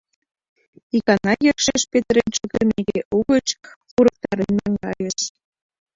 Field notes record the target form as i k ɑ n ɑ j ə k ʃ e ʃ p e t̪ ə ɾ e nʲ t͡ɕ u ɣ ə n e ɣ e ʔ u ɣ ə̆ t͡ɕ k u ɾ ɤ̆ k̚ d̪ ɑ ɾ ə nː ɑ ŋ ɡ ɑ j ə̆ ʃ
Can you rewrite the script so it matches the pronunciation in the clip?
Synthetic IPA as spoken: i k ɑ n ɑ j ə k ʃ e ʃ p e t̪ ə ɾ e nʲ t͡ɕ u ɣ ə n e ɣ e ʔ u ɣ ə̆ t͡ɕ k u ɾ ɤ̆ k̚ t̪ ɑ ɾ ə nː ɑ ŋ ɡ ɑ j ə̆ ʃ